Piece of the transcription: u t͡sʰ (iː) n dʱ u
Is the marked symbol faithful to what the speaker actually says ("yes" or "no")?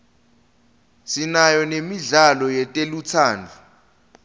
no